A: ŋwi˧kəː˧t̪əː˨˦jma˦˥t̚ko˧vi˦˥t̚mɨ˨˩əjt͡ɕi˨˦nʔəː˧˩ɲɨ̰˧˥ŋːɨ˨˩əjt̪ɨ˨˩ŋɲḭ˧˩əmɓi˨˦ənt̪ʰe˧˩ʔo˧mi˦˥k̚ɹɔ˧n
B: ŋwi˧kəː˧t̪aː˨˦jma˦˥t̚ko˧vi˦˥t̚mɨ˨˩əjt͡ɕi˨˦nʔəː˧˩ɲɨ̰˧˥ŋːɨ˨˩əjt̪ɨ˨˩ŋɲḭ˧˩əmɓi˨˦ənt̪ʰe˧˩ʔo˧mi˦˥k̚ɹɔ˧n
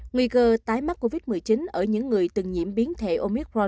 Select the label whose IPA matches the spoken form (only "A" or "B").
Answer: B